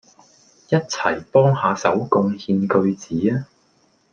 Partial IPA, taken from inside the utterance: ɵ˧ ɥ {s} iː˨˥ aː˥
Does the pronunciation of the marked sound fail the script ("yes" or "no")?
yes